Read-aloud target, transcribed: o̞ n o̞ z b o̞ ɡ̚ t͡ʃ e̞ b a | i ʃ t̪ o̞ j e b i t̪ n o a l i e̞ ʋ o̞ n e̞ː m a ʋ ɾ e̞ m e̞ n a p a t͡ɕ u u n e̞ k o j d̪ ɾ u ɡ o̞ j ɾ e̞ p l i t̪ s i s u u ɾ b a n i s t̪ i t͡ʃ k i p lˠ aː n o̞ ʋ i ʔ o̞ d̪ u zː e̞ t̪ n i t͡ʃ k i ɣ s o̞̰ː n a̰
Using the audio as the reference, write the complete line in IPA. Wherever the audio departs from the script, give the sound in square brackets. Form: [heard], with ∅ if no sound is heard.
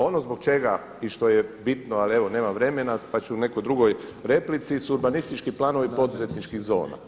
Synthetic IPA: o̞ n o̞ z b o̞ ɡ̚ t͡ʃ e̞ [ɡ] a | i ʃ t̪ o̞ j e b i t̪ n o a l i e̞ ʋ o̞ n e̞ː m a ʋ ɾ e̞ m e̞ n a p a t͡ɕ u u n e̞ k o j d̪ ɾ u ɡ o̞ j ɾ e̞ p l i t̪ s i s u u ɾ b a n i s t̪ i t͡ʃ k i p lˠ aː n o̞ ʋ i [p] o̞ d̪ u [z] e̞ t̪ n i t͡ʃ k i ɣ [z] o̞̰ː n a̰